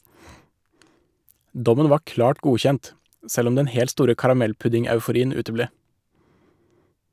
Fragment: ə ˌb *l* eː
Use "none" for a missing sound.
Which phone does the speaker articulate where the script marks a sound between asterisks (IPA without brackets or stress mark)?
l